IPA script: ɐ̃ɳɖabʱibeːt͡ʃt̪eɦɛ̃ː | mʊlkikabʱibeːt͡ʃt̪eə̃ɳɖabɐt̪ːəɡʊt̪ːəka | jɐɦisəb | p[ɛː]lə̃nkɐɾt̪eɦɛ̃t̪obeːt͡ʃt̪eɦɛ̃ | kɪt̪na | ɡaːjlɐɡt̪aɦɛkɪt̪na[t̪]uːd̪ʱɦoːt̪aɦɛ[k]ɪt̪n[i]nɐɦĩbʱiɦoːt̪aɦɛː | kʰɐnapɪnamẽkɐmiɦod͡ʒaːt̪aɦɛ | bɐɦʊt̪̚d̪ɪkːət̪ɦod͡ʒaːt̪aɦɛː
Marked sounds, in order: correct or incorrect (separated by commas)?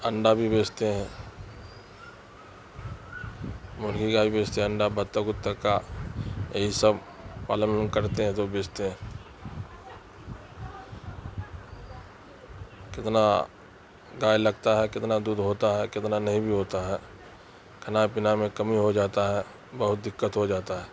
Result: incorrect, incorrect, correct, incorrect